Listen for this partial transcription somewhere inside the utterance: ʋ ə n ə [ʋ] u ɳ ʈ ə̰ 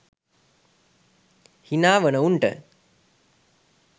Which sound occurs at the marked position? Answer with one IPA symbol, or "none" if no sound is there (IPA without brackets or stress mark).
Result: none